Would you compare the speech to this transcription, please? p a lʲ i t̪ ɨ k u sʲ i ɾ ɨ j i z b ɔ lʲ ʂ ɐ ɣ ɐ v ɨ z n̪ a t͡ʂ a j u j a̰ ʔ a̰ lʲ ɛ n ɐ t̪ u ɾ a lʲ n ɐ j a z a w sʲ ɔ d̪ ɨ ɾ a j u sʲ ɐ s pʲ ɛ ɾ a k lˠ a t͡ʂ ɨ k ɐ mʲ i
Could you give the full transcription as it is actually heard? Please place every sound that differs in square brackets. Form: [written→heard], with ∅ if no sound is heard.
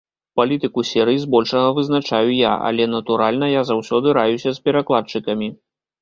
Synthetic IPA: p a lʲ i t̪ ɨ k u sʲ [i→ɛ] ɾ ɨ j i z b ɔ lʲ ʂ ɐ ɣ ɐ v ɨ z n̪ a t͡ʂ a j u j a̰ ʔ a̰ lʲ ɛ n ɐ t̪ u ɾ a lʲ n ɐ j a z a w sʲ ɔ d̪ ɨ ɾ a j u sʲ ɐ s pʲ ɛ ɾ a k lˠ a t͡ʂ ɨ k ɐ mʲ i